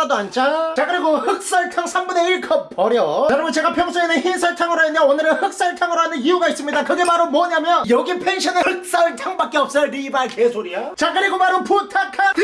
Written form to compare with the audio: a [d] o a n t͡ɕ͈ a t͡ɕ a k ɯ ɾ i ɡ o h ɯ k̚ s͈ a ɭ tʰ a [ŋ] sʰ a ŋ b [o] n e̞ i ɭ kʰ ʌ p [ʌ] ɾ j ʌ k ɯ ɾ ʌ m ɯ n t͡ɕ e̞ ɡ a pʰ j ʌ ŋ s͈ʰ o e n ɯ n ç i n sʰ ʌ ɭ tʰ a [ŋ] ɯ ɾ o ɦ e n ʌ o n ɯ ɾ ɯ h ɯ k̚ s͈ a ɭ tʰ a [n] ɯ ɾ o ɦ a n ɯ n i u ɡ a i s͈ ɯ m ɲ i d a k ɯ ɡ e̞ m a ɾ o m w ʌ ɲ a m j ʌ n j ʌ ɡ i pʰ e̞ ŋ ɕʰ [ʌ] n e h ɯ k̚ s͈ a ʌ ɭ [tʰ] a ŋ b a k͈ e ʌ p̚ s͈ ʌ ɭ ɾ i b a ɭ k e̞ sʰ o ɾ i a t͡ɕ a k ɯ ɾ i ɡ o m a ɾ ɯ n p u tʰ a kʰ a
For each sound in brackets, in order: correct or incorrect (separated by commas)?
correct, correct, incorrect, correct, correct, incorrect, correct, correct